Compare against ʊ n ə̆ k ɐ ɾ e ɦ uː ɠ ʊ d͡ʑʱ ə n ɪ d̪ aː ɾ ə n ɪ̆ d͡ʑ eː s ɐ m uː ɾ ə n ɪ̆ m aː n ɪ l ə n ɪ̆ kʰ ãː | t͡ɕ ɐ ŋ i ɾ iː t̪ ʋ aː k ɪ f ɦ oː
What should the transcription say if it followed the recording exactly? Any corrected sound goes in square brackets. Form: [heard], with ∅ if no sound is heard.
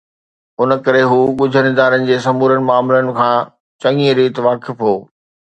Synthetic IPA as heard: ʊ n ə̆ k ɐ ɾ e ɦ uː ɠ ʊ d͡ʑʱ ə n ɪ d̪ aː ɾ ə n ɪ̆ d͡ʑ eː s ɐ m uː ɾ ə n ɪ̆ m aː [m] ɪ l ə n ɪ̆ kʰ ãː | t͡ɕ ɐ ŋ i ɾ iː t̪ ʋ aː k ɪ f ɦ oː

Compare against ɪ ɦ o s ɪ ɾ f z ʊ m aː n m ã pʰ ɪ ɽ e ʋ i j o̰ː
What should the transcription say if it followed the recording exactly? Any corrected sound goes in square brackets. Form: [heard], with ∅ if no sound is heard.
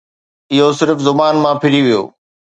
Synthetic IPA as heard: ɪ ɦ o s ɪ ɾ f z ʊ [b] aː n m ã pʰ ɪ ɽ [i] ʋ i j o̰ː

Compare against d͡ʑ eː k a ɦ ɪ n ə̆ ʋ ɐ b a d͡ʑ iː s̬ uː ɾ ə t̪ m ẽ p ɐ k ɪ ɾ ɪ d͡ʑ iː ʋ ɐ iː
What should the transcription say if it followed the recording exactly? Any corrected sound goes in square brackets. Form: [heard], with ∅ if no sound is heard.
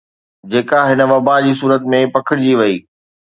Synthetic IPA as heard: d͡ʑ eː k a ɦ ɪ n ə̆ ʋ ɐ b a d͡ʑ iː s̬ uː ɾ ə t̪ m ẽ p ɐ [kʰ] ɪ [ɽ] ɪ d͡ʑ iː ʋ ɐ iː

